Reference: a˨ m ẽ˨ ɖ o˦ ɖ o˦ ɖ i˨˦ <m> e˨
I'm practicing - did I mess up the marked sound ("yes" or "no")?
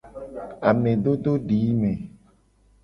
no